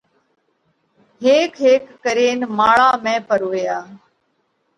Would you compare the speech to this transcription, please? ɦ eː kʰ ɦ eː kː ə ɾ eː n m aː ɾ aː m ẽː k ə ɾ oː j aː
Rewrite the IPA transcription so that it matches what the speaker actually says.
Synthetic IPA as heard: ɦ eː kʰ ɦ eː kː ə ɾ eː n m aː ɭ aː m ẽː p ə ɾ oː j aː